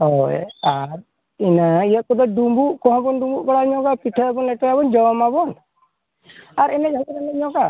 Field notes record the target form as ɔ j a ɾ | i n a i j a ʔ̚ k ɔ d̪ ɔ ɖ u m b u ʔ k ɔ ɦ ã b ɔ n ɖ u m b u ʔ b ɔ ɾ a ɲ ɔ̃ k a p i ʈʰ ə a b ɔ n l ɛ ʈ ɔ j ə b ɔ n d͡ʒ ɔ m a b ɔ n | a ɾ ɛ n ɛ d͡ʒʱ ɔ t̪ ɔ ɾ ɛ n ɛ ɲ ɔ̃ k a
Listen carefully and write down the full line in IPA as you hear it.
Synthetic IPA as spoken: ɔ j a ɾ | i n a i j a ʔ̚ k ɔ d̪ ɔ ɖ u m b u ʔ k ɔ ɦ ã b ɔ n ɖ u m b u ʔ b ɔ ɽ a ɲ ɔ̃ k a p i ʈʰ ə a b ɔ n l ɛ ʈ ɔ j a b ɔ n d͡ʒ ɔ m a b ɔ n | a ɾ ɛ n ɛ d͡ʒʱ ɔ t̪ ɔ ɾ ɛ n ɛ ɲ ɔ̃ k a